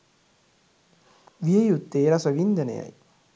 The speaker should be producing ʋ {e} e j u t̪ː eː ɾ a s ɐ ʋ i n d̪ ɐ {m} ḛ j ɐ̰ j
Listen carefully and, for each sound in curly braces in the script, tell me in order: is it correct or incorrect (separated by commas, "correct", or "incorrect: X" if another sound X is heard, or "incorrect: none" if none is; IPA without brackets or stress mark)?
incorrect: i, incorrect: n